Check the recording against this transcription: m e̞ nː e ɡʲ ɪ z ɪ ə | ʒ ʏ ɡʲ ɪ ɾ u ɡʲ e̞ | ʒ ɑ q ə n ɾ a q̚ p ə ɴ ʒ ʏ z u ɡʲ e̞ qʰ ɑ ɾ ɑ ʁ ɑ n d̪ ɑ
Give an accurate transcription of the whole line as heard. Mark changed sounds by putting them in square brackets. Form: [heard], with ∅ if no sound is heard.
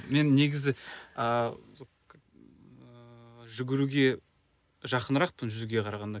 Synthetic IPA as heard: m e̞ nː e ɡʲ ɪ z ɪ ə | ʒ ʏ ɡʲ ɪ ɾ u ɡʲ e̞ | ʒ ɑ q ə n ɾ [ɑ] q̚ p ə [n] ʒ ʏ z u ɡʲ e̞ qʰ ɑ ɾ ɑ ʁ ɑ n d̪ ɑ